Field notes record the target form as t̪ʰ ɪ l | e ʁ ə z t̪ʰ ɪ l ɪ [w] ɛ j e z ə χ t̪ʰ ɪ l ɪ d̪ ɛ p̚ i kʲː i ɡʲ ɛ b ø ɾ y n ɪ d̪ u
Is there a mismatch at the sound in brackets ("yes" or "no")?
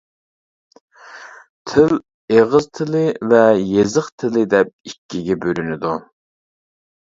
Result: yes